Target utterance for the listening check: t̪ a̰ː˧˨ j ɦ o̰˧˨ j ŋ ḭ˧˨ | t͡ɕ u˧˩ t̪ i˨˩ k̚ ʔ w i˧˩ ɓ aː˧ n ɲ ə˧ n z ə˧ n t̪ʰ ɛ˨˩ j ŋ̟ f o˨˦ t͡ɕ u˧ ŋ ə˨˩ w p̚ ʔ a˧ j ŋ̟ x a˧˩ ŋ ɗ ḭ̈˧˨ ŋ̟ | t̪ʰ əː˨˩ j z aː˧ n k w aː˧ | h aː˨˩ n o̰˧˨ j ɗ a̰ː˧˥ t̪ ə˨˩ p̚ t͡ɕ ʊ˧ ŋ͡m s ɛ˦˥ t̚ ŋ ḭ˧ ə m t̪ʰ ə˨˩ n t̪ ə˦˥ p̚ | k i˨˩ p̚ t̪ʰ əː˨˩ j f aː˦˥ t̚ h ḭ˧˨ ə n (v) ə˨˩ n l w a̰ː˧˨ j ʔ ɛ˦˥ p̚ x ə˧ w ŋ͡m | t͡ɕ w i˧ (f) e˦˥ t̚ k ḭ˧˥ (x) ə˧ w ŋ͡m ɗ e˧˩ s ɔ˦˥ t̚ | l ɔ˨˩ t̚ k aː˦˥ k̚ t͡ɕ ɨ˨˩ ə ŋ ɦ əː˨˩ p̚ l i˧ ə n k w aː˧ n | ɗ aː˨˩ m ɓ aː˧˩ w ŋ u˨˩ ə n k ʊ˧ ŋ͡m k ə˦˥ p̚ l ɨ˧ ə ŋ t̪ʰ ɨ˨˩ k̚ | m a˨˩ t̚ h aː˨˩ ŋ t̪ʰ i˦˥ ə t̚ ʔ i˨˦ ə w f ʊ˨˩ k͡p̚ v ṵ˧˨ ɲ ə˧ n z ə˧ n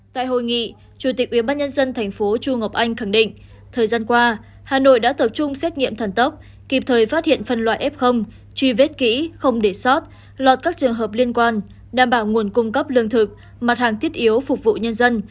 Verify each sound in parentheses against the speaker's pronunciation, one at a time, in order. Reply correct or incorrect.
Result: incorrect: f, incorrect: v, correct

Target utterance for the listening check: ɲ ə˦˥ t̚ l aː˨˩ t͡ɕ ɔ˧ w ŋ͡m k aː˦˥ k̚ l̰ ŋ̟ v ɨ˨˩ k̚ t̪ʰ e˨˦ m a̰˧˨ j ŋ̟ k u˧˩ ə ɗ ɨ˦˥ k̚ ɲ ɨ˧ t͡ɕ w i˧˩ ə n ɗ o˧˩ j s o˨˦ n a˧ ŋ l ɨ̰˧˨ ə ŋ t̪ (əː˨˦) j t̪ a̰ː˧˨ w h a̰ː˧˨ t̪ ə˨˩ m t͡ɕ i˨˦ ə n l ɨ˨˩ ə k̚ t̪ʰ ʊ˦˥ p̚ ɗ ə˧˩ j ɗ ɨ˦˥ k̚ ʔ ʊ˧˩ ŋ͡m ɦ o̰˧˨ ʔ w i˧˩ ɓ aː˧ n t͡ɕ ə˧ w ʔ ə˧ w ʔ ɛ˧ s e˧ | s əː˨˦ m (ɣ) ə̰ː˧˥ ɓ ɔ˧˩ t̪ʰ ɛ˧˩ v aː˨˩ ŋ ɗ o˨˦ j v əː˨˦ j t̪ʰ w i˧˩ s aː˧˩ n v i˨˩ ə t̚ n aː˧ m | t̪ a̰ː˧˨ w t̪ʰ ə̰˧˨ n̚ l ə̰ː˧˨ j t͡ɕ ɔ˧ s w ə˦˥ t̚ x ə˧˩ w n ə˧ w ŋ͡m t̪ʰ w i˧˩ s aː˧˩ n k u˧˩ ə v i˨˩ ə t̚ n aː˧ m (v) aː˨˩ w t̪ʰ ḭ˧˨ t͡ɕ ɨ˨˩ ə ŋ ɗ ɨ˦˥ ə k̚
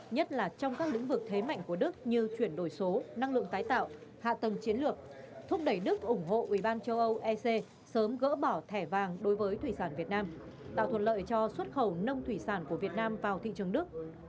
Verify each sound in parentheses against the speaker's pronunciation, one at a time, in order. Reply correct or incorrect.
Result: incorrect: aː˨˦, correct, correct

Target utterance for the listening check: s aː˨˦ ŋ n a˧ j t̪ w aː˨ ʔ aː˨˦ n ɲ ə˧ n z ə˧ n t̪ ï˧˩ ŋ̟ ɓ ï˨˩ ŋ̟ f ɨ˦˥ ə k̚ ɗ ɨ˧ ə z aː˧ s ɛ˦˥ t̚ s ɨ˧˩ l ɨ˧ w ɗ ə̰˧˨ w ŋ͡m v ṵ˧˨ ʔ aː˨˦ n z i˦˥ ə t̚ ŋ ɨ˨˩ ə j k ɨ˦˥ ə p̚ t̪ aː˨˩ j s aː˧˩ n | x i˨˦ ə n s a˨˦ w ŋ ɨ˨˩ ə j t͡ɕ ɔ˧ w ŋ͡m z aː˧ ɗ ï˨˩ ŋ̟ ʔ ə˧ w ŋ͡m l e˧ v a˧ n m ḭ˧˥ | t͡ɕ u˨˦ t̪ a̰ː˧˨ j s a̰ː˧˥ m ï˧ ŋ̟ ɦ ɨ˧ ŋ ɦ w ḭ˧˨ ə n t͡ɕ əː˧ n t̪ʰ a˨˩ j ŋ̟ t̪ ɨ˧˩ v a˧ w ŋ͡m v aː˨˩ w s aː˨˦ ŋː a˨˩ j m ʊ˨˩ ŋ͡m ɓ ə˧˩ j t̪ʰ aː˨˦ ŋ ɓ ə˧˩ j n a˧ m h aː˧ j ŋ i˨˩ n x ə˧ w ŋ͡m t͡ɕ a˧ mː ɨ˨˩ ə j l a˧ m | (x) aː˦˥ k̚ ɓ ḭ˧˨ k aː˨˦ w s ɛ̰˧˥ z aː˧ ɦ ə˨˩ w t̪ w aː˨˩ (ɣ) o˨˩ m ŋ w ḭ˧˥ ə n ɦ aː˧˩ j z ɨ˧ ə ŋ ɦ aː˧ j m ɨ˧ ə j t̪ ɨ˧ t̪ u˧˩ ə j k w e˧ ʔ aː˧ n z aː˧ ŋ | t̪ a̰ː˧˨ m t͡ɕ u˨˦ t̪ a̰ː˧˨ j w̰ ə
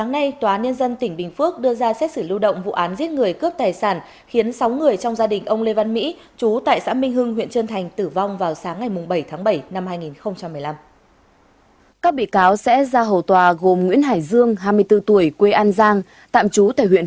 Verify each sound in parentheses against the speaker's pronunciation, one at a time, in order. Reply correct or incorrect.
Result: incorrect: k, correct

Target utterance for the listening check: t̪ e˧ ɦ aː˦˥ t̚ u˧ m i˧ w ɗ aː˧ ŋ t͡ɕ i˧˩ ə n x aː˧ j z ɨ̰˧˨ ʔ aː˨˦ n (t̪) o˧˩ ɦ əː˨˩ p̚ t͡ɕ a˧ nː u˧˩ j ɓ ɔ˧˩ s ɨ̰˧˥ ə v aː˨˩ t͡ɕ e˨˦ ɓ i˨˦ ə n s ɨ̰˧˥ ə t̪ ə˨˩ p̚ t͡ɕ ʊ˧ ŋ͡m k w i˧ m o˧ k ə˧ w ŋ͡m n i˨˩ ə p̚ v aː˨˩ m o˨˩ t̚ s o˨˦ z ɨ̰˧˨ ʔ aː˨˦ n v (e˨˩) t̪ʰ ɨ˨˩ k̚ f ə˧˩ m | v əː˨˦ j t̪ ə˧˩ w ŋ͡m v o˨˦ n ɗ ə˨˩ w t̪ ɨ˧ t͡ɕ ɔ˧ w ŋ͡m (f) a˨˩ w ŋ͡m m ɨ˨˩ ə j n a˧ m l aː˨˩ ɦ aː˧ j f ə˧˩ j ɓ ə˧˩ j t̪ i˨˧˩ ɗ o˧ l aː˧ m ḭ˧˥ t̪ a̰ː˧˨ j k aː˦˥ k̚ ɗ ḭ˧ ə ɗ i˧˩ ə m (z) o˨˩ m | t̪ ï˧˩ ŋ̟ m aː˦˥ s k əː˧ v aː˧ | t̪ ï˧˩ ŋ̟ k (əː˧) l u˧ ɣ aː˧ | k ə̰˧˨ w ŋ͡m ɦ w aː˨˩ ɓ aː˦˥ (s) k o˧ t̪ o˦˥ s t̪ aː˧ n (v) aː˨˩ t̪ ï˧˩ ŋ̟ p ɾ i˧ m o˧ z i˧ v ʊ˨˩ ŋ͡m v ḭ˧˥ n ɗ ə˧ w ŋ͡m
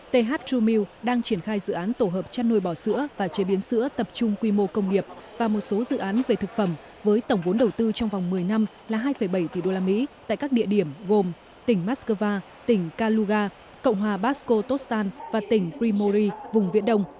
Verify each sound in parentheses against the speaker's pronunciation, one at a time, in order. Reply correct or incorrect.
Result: correct, correct, incorrect: v, incorrect: ɣ, incorrect: aː˧, correct, correct

